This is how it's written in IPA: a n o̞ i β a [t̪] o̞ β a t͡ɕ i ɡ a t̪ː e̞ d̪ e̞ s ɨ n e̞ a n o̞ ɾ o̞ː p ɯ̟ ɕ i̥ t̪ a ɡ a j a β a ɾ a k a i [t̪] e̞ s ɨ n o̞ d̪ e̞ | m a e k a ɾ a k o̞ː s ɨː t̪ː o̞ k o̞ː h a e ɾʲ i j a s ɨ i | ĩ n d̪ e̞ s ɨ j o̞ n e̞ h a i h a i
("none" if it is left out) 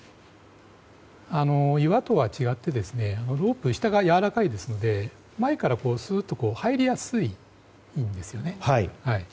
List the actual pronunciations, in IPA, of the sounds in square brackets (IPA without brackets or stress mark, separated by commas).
t̪, d̪